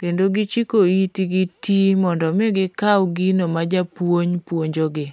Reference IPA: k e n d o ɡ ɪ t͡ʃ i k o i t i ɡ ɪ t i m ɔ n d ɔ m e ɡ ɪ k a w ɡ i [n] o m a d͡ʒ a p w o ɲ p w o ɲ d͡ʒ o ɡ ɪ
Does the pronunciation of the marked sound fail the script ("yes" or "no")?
no